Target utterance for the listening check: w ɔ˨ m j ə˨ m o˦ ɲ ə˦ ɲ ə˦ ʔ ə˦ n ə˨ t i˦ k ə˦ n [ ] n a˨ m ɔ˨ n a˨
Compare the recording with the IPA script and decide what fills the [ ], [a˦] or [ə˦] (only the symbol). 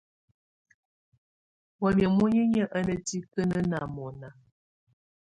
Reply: ə˦